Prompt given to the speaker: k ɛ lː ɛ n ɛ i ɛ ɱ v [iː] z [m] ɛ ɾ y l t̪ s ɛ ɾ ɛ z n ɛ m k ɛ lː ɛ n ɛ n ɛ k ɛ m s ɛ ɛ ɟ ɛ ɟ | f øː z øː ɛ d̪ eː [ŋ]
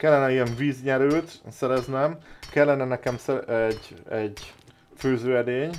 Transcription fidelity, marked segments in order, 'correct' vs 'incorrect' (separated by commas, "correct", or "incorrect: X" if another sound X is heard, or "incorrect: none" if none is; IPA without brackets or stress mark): correct, incorrect: ɲ, incorrect: ɲ